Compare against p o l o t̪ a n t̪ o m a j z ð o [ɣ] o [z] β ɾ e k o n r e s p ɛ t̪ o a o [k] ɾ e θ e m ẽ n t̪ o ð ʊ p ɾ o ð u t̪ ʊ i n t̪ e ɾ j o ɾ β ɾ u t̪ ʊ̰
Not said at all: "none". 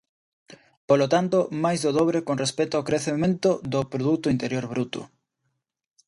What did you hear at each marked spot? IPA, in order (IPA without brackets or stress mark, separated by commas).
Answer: ð, none, k